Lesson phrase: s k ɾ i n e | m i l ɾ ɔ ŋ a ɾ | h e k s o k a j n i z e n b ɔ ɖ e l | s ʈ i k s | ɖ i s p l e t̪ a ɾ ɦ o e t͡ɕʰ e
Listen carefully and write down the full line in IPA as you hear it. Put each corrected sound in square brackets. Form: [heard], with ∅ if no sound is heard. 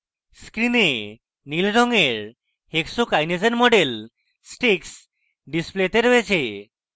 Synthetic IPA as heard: s k ɾ i n e | [n] i l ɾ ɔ ŋ [e] ɾ | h e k s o k a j n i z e n [m] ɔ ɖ e l | s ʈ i k s | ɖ i s p l e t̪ [e] ɾ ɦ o e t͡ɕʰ e